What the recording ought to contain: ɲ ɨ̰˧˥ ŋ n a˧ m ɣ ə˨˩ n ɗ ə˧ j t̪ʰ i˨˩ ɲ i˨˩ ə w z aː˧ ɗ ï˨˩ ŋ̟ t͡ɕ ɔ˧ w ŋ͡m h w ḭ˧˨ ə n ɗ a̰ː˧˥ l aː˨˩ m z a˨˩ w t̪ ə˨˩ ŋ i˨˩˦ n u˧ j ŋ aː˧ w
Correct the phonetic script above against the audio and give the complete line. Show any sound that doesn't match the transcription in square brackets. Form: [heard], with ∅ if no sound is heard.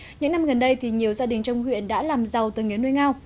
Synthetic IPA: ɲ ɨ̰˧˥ ŋ n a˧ m ɣ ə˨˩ n ɗ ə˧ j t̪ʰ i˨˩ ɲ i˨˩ ə w z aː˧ ɗ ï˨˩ ŋ̟ t͡ɕ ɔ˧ w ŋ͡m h w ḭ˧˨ ə n ɗ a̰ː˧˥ l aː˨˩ m z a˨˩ w t̪ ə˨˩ ŋ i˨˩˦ n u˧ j ŋ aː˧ w

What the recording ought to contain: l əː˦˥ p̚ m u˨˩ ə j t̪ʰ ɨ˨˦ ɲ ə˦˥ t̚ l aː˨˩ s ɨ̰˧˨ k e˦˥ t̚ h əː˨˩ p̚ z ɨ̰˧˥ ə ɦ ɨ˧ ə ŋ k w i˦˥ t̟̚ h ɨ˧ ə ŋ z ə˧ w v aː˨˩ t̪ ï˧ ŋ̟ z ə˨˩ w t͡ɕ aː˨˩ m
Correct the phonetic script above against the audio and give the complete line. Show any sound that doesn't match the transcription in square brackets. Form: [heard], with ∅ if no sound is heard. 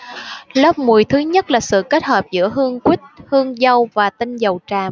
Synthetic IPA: l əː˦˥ p̚ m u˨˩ ə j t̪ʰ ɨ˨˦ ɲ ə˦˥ t̚ l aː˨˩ s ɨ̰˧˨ k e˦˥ t̚ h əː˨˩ p̚ z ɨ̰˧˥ ə ɦ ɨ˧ ə ŋ k w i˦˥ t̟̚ h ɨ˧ ə ŋ z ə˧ w v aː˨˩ t̪ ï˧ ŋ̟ z ə˨˩ w t͡ɕ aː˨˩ m

